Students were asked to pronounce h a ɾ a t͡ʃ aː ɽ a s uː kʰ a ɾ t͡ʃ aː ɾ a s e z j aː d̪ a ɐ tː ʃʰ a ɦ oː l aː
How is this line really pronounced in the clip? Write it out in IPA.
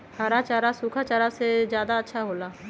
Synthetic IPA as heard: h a ɾ a t͡ʃ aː ɾ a s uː kʰ a t͡ʃ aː ɾ a s e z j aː d̪ a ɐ tː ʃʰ a ɦ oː l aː